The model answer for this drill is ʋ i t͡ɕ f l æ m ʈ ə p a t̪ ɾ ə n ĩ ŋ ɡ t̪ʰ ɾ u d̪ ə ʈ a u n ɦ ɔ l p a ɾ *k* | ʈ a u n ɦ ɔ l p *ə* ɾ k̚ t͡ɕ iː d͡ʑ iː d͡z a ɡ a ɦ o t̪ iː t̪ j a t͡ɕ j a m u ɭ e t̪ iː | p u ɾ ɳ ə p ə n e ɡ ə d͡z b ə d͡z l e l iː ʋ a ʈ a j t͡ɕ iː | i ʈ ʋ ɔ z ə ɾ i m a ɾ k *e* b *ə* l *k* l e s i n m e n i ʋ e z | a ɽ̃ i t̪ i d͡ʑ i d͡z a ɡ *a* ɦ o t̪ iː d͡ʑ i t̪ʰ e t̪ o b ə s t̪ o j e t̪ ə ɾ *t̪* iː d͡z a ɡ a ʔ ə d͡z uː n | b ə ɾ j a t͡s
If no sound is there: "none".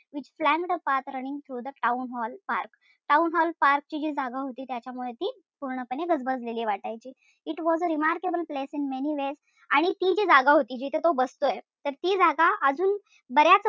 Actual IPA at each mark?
k, a, e, ə, p, a, t̪

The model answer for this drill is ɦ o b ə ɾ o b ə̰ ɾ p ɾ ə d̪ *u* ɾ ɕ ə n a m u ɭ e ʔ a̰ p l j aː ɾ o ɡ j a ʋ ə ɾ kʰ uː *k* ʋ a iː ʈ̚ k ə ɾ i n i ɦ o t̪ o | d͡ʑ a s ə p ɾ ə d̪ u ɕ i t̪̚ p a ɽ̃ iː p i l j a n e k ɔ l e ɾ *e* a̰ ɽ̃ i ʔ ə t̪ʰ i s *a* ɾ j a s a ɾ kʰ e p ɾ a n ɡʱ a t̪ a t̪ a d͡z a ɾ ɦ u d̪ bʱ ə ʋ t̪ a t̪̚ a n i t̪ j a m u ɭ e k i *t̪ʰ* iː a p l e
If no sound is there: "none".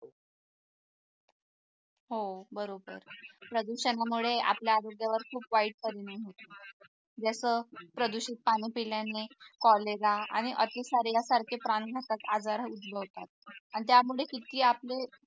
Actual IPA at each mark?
u, p, a, a, t̪

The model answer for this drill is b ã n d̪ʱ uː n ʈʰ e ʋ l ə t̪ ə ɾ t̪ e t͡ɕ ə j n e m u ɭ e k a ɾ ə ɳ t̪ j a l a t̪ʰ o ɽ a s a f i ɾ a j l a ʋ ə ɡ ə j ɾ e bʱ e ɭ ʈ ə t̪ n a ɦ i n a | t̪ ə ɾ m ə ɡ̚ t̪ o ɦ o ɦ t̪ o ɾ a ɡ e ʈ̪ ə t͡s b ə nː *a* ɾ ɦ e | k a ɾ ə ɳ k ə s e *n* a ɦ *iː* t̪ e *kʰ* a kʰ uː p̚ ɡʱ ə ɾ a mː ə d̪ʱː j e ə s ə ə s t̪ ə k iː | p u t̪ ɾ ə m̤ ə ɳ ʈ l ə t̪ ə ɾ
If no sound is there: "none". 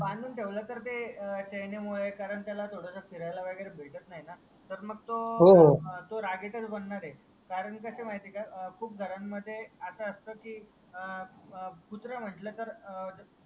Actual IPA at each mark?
a, m, i, k

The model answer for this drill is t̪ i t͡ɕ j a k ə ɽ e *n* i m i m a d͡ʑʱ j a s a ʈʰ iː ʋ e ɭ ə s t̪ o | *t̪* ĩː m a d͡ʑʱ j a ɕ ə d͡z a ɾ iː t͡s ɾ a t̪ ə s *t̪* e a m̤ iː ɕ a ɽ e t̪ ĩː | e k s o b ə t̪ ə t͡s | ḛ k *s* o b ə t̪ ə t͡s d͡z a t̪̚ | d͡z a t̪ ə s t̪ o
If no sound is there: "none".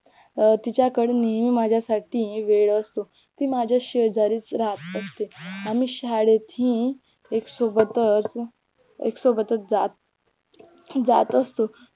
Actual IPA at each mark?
n, t̪, t̪, s

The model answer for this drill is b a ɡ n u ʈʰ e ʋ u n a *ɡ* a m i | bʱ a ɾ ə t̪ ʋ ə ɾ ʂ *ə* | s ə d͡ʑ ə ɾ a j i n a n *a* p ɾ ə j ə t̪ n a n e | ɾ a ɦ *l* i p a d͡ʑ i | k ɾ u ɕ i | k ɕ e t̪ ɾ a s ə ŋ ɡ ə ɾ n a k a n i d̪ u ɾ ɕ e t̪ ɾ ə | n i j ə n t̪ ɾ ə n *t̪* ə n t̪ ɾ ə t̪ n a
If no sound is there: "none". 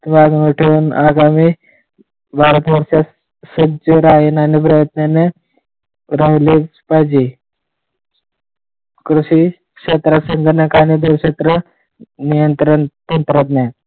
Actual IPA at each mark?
ɡ, a, i, l, t̪

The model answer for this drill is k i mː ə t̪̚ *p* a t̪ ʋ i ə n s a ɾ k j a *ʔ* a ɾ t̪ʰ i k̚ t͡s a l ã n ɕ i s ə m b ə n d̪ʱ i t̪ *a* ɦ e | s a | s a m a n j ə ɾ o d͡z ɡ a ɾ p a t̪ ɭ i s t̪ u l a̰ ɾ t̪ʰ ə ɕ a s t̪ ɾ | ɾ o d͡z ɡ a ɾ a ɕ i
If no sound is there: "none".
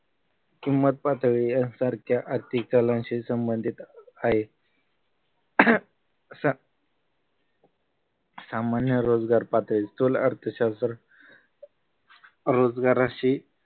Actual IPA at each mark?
p, ʔ, a

